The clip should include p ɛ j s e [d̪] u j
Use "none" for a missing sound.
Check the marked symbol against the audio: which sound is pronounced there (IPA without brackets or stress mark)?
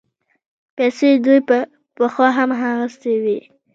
d̪